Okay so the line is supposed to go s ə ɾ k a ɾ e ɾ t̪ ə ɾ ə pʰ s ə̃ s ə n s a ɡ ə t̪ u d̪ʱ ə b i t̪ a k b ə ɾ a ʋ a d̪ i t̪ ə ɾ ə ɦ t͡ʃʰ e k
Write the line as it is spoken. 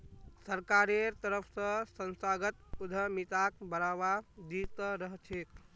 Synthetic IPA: s ə ɾ k a ɾ e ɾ t̪ ə ɾ ə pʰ s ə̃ s ə n s a ɡ ə t̪ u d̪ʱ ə m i t̪ a k b ə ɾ a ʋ a d̪ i t̪ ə ɾ ə ɦ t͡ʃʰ e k